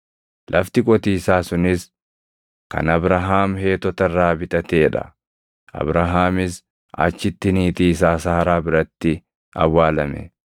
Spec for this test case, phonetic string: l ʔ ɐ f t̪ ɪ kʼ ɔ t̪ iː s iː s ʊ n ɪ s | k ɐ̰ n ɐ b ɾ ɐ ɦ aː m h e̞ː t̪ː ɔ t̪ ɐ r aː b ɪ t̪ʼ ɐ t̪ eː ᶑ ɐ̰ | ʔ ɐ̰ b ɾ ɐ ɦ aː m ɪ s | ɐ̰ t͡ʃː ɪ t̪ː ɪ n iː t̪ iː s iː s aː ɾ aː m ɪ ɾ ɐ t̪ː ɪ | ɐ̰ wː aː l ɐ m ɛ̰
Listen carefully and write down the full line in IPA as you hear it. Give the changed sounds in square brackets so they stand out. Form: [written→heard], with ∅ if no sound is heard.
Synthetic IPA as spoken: l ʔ ɐ f t̪ ɪ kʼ ɔ t̪ iː s [iː→aː] s ʊ n ɪ s | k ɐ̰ n ɐ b ɾ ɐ ɦ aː m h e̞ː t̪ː ɔ t̪ ɐ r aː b ɪ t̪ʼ ɐ t̪ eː ᶑ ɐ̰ | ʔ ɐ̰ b ɾ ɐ ɦ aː m ɪ s | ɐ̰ t͡ʃː ɪ t̪ː ɪ n iː t̪ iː s [iː→aː] s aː ɾ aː [m→b] ɪ ɾ ɐ t̪ː ɪ | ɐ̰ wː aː l ɐ m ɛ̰